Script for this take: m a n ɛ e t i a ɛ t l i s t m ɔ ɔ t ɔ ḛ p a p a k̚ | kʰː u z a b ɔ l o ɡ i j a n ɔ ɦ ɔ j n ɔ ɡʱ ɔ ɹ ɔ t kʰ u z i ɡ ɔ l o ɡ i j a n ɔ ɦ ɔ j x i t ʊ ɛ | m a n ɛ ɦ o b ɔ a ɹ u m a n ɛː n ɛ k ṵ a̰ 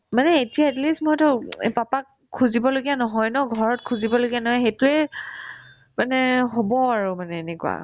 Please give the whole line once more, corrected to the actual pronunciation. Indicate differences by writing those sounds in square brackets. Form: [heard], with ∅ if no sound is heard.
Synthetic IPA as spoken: m a n ɛ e t i a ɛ t l i s t m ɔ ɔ t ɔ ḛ p a p a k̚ | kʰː u z [i] b ɔ l o ɡ i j a n ɔ ɦ ɔ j n ɔ ɡʱ ɔ ɹ ɔ t kʰ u z i [b] ɔ l o ɡ i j a n ɔ ɦ ɔ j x [e] t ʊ ɛ | m a n ɛ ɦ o b ɔ a ɹ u m a n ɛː n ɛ k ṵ a̰

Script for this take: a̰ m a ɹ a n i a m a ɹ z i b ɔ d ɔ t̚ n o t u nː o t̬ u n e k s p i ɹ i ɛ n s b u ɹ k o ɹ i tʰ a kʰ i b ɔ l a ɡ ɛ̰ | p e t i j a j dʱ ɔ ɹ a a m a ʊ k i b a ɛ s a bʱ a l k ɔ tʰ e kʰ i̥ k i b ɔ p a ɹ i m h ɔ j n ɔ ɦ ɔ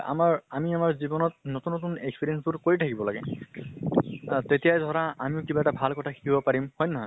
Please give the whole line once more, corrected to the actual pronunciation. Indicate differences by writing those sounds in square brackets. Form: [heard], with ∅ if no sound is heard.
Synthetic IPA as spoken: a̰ m a ɹ a [m] i a m a ɹ z i b ɔ [n] ɔ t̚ n o t u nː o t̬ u n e k s p i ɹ i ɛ n s b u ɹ k o ɹ i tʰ a [k] i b ɔ l a ɡ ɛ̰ | [t] e t i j a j dʱ ɔ ɹ a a m [i] ʊ k i b a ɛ [t] a bʱ a l k ɔ tʰ [a] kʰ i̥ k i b ɔ p a ɹ i m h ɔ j n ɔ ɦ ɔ

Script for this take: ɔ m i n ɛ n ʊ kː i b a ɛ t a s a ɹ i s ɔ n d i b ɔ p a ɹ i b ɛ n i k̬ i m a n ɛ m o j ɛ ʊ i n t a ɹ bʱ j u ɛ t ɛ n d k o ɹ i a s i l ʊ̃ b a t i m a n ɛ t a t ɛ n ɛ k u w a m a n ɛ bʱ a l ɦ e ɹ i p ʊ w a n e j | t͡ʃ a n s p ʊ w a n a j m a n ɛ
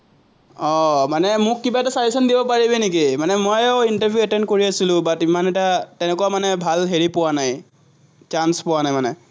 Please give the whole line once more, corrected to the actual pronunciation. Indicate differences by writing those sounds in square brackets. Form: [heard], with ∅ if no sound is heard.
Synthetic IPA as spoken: ɔ m [a] n ɛ [m] ʊ kː i b a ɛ t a s a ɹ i s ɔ n d i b ɔ p a ɹ i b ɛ n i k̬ i m a n ɛ m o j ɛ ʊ i n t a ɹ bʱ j u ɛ t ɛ n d k o ɹ i a s i l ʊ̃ b a t i m a n ɛ t a t ɛ n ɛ k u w a m a n ɛ bʱ a l ɦ e ɹ i p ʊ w a n [a] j | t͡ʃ a n s p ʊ w a n a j m a n ɛ

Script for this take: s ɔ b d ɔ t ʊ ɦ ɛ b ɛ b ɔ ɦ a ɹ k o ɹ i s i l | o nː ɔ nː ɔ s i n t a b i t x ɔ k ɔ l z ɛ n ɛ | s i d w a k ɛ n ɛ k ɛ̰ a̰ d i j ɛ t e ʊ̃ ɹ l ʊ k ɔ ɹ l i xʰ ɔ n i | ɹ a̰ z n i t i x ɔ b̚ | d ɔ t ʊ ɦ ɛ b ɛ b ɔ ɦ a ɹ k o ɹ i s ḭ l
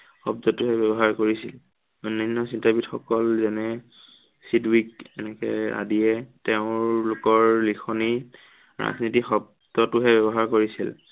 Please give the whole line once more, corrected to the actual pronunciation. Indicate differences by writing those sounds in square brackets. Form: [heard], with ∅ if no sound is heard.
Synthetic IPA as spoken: [x] ɔ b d ɔ t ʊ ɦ ɛ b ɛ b ɔ ɦ a ɹ k o ɹ i s i l | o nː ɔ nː ɔ s i n t a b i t x ɔ k ɔ l z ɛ n ɛ | s i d w [i] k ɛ n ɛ k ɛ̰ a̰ d i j ɛ t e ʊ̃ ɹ l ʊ k ɔ ɹ l i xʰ ɔ n i | ɹ a̰ z n i t i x ɔ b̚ | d ɔ t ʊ ɦ ɛ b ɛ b ɔ ɦ a ɹ k o ɹ i s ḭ l

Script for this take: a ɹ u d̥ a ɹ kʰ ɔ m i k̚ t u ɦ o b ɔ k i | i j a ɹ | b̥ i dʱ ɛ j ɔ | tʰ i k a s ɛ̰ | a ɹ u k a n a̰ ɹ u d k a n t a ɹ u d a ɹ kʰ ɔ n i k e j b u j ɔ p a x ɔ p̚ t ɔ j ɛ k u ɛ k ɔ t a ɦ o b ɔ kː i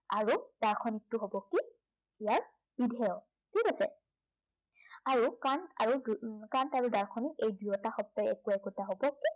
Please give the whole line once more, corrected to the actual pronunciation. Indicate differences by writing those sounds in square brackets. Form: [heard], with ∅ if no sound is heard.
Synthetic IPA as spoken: a ɹ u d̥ a ɹ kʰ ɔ [n] i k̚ t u ɦ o b ɔ k i | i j a ɹ | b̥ i dʱ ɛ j ɔ | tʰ i k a s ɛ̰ | a ɹ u k a n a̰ ɹ u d k a n t a ɹ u d a ɹ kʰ ɔ n i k e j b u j ɔ [t] a x ɔ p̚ t ɔ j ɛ k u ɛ k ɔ t a ɦ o b ɔ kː i

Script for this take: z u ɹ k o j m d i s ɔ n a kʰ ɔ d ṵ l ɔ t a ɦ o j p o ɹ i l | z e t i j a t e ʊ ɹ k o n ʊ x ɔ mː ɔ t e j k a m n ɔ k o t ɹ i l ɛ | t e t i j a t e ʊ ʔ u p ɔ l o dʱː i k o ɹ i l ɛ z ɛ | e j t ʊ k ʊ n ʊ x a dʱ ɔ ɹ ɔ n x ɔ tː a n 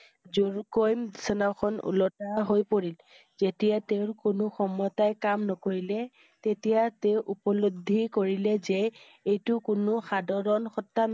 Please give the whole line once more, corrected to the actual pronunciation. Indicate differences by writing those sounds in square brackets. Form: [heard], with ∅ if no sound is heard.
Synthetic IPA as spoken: z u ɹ k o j m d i s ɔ n a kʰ ɔ [n] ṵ l ɔ t a ɦ o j p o ɹ i l | z e t i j a t e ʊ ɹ k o n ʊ x ɔ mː ɔ t [a] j k a m n ɔ k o [∅] ɹ i l ɛ | t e t i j a t e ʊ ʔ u p ɔ l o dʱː i k o ɹ i l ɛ z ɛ | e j t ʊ k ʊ n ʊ x a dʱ ɔ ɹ ɔ n x ɔ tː a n

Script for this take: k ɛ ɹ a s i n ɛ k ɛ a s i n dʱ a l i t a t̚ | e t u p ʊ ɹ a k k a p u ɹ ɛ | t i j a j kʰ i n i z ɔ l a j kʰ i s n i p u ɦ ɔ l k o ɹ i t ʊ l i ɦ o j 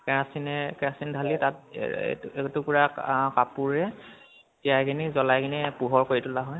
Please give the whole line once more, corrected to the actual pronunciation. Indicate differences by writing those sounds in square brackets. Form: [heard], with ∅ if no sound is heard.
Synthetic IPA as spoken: k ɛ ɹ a s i n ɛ k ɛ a s i n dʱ a l i t a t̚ | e t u p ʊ ɹ a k k a p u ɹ ɛ | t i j a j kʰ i n i z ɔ l a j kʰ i [∅] n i p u ɦ ɔ [ɹ] k o ɹ i t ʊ l [a] ɦ [ɔ] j

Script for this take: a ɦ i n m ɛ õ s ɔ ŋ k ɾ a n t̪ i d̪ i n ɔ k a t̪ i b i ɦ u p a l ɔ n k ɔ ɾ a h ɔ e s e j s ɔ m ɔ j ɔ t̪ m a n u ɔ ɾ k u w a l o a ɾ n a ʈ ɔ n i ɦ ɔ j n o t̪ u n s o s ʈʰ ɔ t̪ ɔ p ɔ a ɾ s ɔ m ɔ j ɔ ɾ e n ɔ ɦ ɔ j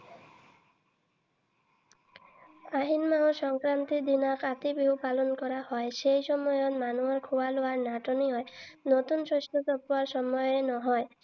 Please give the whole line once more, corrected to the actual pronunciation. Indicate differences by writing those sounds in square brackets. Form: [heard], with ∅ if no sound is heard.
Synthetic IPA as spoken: a ɦ i n m [a] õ s ɔ ŋ k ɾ a n t̪ i d̪ i n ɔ k a t̪ i b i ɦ u p a l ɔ n k ɔ ɾ a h ɔ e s e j s ɔ m ɔ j ɔ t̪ m a n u ɔ ɾ [kʰ] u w a l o a ɾ n a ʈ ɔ n i ɦ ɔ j n o t̪ u n s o s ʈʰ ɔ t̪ ɔ p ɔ a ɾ s ɔ m ɔ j ɔ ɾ e n ɔ ɦ ɔ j

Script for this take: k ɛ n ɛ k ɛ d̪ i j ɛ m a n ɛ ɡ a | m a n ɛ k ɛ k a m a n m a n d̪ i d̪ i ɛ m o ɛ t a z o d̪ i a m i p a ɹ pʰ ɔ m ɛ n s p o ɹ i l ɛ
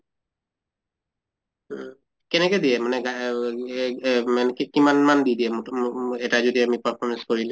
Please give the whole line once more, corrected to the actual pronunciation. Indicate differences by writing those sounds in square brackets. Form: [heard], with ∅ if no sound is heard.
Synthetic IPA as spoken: k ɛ n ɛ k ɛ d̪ i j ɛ m a n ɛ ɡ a | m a n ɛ k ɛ k [i] m a n m a n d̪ i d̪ i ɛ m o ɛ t a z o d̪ i a m i p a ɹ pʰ ɔ m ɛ n s [k] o ɹ i l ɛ

